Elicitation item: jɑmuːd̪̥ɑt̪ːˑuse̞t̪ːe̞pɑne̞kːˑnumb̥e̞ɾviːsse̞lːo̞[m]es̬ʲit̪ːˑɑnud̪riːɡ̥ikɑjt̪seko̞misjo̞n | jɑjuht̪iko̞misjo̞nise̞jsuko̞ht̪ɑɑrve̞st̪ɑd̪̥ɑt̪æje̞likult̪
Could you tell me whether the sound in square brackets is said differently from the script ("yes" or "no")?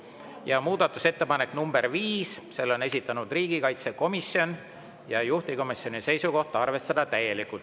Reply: yes